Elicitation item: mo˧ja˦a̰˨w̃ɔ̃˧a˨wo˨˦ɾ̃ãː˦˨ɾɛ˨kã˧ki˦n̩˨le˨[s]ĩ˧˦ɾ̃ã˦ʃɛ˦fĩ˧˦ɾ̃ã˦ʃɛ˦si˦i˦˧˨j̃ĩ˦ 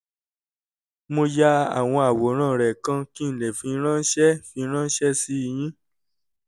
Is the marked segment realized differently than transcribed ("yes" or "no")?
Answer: yes